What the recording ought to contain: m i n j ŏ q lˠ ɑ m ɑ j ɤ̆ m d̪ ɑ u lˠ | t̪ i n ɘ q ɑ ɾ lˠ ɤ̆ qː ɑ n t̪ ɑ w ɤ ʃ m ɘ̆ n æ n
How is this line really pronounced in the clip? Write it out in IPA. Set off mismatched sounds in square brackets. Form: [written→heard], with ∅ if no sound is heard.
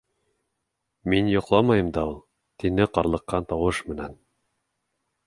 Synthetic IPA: m i n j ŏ q lˠ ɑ m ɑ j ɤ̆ m d̪ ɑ u lˠ | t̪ i n ɘ q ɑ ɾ lˠ ɤ̆ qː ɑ n t̪ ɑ w ɤ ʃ m ɘ̆ n æ n